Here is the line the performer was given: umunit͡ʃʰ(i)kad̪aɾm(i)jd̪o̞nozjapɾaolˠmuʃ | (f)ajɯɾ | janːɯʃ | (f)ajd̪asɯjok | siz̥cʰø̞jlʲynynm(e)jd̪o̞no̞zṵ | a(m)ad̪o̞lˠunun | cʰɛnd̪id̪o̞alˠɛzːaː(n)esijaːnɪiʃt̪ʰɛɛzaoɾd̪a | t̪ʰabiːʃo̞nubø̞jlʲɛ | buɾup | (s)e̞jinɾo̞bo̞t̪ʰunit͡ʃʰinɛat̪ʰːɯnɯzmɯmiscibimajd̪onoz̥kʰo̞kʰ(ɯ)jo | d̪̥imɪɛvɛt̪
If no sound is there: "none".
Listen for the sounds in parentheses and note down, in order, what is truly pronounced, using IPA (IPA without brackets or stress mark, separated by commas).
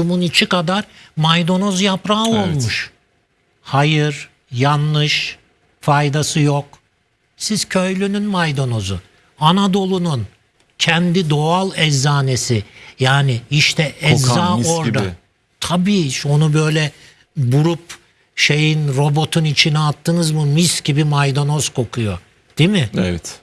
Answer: i, a, h, f, a, n, n, ʃ, u